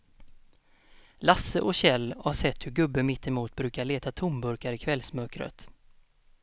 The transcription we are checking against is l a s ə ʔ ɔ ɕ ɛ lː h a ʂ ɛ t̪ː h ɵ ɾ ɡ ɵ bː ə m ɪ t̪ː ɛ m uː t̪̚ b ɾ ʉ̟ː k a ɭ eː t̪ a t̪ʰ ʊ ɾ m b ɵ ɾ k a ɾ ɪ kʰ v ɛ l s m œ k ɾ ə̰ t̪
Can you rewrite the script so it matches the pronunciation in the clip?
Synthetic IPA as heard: l a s ə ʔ ɔ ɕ ɛ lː h a ʂ ɛ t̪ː h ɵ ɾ ɡ ɵ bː ə m ɪ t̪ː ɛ m uː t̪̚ b ɾ ʉ̟ː k a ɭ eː t̪ a t̪ʰ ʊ m b ɵ ɾ k a ɾ ɪ kʰ v ɛ l s m œ k ɾ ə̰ t̪